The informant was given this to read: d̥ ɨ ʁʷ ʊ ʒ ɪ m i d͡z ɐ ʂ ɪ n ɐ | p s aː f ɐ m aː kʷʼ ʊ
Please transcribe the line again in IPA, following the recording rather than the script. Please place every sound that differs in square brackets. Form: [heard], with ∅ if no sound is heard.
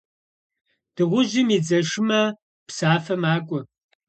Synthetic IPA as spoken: d̥ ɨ ʁʷ ʊ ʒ ɪ m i d͡z ɐ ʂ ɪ [m] ɐ | p s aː f ɐ m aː kʷʼ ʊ